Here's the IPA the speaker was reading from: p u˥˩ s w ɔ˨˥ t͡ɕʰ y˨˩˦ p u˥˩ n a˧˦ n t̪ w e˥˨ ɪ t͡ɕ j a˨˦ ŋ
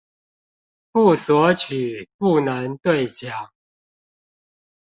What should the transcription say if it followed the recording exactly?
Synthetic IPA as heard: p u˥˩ s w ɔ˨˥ t͡ɕʰ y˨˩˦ p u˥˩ n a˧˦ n t̪ w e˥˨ ɪ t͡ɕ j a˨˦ ŋ